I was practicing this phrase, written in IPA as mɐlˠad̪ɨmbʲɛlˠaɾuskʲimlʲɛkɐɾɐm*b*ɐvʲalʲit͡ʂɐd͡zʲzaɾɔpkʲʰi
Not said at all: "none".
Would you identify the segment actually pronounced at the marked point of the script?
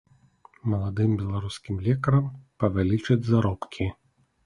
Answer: p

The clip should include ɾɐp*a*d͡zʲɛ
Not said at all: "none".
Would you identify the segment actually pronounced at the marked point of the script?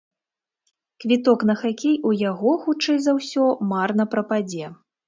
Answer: a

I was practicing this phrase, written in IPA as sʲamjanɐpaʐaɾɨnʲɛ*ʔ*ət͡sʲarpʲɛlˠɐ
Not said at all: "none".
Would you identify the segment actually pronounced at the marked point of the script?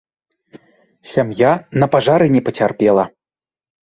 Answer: p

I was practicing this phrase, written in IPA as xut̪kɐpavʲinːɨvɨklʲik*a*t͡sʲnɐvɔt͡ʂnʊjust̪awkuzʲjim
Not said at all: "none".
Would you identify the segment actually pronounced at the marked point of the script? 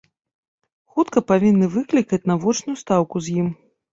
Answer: ɐ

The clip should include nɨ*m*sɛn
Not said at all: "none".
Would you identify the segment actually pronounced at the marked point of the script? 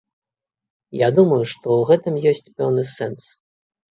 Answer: none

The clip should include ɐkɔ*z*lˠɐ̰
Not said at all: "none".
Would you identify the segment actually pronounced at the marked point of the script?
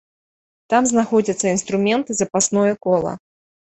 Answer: none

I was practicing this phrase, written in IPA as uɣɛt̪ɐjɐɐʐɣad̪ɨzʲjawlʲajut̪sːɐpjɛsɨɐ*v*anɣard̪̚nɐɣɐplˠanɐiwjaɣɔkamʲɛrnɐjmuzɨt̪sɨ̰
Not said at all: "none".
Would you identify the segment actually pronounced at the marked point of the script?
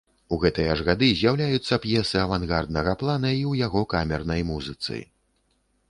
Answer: v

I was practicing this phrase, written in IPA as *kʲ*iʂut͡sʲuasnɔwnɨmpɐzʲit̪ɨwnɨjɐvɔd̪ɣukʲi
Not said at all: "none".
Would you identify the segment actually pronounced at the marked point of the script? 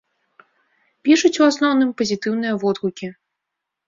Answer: pʲ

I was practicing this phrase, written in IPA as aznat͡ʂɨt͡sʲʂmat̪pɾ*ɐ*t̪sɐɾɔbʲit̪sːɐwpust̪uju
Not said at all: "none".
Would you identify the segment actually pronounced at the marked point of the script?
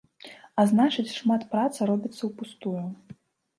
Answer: a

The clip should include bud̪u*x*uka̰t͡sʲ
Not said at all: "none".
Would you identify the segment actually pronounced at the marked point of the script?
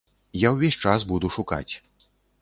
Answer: ʂ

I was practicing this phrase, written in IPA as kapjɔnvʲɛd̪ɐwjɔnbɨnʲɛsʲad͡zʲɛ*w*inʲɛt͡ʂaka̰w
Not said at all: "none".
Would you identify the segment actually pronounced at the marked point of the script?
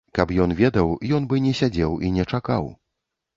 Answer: w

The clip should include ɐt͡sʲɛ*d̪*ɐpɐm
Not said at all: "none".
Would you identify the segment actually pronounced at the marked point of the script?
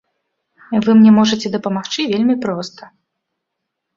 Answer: d̪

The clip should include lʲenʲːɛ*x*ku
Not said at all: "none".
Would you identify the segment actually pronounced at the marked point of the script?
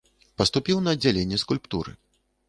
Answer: s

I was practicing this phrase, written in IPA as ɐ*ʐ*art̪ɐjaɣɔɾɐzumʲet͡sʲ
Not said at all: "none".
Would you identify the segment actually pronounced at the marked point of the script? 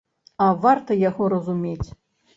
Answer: v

